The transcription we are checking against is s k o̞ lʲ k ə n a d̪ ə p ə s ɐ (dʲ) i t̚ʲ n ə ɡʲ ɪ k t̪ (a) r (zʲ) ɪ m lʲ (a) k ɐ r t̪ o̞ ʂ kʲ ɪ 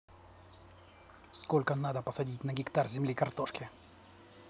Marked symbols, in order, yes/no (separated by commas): yes, yes, yes, no